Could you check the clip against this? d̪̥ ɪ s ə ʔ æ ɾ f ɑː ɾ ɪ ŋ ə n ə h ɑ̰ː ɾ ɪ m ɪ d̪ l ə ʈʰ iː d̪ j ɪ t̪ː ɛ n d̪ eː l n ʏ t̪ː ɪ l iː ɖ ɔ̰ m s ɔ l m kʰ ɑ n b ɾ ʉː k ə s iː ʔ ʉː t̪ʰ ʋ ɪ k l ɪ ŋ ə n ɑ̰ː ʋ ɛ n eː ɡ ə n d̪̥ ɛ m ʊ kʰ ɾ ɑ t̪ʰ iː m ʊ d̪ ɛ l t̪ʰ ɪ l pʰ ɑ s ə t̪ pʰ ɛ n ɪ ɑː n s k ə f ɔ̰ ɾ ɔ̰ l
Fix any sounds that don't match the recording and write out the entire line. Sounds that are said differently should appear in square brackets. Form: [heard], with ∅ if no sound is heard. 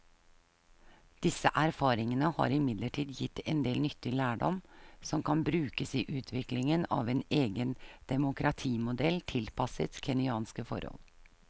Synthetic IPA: d̪̥ ɪ s ə ʔ æ ɾ f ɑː ɾ ɪ ŋ ə n ə h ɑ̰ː ɾ ɪ m ɪ d̪ l ə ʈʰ iː d̪ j ɪ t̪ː ɛ n d̪ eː l n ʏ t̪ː ɪ l [æː] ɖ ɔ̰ m s ɔ [∅] m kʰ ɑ n b ɾ ʉː k ə s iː ʔ ʉː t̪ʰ ʋ ɪ k l ɪ ŋ ə n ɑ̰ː ʋ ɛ n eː ɡ ə n d̪̥ ɛ m ʊ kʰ ɾ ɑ t̪ʰ iː m ʊ d̪ ɛ l t̪ʰ ɪ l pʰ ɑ s ə t̪ [kʰ] ɛ n ɪ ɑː n s k ə f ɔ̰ ɾ ɔ̰ l